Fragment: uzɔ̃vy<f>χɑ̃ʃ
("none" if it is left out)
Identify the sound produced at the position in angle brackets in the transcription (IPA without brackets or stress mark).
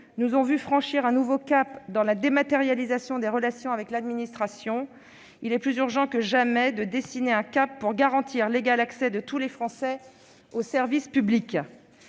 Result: f